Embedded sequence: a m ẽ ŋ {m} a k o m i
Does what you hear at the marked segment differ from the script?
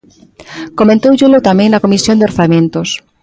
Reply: yes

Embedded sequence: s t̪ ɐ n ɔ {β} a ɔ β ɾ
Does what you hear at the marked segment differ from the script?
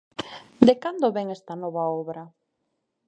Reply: no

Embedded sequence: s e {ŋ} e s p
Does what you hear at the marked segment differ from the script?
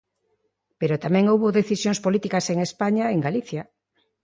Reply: no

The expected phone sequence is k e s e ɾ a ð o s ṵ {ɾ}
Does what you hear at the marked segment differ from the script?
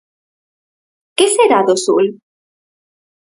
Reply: yes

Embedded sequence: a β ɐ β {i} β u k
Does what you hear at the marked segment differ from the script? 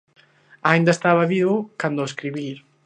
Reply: no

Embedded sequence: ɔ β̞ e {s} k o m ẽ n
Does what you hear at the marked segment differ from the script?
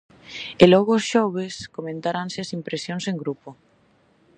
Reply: no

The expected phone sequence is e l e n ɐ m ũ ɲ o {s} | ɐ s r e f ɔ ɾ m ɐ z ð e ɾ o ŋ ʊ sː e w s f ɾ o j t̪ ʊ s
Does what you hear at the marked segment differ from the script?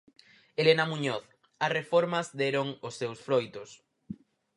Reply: yes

